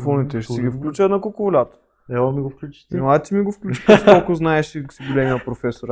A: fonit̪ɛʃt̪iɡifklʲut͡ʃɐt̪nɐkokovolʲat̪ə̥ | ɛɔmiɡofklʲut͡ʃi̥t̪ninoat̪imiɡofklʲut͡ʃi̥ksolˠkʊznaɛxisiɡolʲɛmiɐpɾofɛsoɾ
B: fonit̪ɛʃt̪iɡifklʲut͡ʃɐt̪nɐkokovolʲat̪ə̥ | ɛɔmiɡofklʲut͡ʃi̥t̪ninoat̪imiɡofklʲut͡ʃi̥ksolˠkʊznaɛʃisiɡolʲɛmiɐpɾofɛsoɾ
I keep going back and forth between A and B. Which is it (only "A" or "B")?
B